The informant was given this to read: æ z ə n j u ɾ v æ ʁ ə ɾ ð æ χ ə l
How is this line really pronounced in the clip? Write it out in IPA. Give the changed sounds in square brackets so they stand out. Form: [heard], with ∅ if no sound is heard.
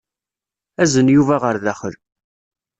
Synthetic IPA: æ z ə n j u [∅] v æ ʁ ə ɾ ð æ χ ə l